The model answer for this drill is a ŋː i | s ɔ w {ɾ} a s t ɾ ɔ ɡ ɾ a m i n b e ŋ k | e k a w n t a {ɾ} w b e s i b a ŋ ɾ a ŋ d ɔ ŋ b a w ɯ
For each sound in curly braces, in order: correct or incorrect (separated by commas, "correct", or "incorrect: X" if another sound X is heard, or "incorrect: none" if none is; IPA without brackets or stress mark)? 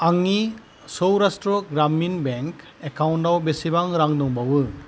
correct, incorrect: none